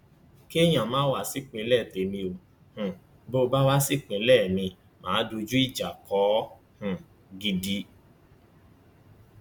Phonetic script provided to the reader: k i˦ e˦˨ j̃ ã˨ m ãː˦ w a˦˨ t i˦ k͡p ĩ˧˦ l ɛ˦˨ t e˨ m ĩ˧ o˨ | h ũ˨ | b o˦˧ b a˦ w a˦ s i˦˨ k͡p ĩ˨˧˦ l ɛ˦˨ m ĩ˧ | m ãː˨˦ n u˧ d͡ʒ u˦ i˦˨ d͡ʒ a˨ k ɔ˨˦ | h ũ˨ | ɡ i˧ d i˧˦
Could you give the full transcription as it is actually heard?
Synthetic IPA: k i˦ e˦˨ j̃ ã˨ m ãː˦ w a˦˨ s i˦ k͡p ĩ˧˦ l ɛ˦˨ t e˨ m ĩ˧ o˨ | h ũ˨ | b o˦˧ b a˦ w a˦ s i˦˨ k͡p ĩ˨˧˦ l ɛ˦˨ m ĩ˧ | m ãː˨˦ d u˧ d͡ʒ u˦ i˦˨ d͡ʒ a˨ k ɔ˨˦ | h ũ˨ | ɡ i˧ d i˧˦